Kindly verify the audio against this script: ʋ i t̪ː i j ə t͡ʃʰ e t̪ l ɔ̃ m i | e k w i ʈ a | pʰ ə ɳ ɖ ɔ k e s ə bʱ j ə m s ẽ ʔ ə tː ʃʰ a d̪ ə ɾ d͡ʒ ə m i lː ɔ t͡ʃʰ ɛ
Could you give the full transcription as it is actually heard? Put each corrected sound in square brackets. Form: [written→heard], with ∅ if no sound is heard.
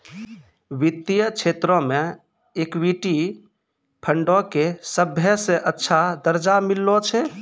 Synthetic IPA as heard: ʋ i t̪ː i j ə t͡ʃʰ e t̪ [l→ɾ] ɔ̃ m [i→e] | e k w i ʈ [a→i] | pʰ ə ɳ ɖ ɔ k e s ə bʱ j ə [m→∅] s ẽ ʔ ə tː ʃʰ a d̪ ə ɾ d͡ʒ [ə→a] m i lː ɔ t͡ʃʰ ɛ